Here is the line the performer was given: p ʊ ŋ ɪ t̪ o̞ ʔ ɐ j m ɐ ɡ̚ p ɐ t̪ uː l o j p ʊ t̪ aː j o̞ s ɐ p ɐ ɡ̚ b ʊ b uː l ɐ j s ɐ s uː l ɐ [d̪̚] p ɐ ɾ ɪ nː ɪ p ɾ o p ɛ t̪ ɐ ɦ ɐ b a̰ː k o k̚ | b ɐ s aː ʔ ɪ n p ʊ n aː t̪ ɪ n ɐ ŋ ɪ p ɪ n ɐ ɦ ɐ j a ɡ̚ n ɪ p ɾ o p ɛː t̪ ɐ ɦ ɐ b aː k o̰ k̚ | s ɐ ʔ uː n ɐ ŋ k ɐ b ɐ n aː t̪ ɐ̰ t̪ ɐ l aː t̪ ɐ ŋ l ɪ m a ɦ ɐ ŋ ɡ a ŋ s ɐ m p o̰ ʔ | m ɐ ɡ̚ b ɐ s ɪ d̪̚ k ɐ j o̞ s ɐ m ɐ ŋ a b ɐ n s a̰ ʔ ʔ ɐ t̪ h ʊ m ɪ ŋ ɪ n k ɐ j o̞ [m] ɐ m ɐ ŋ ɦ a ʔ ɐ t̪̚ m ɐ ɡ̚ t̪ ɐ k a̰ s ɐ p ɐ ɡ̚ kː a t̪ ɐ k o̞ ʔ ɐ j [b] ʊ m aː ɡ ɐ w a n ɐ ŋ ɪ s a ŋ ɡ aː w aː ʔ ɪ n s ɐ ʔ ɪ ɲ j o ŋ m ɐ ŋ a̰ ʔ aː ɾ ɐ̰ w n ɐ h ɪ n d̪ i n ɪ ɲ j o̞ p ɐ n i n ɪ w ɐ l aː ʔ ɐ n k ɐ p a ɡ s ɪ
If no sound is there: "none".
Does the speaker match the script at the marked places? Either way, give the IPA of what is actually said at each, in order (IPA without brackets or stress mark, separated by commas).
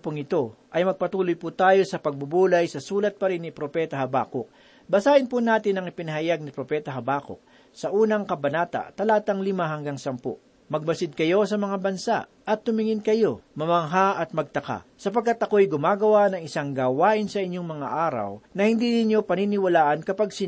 t̪̚, m, ɡ